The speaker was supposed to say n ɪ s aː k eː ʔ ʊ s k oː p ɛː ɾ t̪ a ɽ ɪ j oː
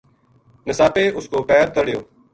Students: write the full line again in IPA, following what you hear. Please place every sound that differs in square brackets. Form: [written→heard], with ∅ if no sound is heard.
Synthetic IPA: n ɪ s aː [k→p] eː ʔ ʊ s k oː p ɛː ɾ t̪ [a→ə] ɽ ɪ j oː